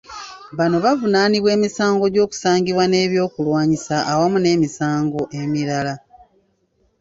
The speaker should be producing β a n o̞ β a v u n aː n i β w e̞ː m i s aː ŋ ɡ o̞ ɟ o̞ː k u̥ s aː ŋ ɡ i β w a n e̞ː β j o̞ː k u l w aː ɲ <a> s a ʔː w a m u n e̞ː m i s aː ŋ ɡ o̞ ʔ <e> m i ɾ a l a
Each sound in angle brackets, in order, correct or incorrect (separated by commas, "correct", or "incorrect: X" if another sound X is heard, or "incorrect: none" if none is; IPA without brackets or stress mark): incorrect: i, correct